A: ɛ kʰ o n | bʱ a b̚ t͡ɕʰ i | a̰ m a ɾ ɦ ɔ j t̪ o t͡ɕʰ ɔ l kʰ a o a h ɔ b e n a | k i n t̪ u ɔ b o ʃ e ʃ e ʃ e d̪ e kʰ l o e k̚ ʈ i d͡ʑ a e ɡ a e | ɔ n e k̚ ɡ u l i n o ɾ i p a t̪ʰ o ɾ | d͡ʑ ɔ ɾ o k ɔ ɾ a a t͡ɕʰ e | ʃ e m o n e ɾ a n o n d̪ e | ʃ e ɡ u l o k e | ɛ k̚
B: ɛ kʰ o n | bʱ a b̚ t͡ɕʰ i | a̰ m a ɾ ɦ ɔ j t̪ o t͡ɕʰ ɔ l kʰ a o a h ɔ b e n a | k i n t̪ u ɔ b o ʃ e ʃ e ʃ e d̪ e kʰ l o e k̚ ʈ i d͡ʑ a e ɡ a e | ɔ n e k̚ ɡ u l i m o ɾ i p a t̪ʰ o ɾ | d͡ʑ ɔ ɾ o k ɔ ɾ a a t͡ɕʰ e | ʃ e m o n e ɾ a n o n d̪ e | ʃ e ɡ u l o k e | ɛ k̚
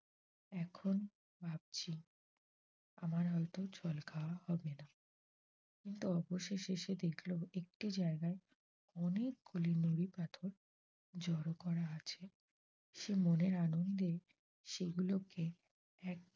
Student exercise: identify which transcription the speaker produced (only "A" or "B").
A